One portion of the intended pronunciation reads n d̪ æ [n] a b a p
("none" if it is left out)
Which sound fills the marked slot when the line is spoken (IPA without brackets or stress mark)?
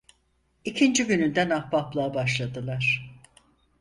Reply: n